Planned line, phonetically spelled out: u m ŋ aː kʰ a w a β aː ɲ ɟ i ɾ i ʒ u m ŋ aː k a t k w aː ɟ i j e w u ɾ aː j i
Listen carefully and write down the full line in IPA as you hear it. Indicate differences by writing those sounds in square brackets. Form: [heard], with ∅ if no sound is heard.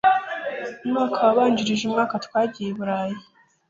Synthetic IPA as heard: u m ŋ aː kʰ a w a β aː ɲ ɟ i ɾ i ʒ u m ŋ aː k a t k w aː ɟ i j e [β] u ɾ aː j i